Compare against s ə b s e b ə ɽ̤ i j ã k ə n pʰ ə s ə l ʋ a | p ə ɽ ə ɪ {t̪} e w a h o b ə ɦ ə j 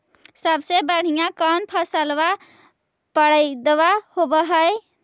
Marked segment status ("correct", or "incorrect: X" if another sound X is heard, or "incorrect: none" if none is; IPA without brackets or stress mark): incorrect: d̪